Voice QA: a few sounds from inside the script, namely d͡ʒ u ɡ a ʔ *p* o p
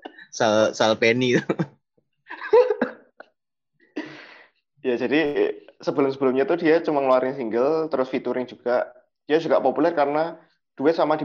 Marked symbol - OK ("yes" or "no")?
yes